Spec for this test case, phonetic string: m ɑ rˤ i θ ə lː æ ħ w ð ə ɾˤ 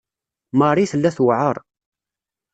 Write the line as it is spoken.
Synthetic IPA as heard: m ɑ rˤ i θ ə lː æ θ w ʕ ə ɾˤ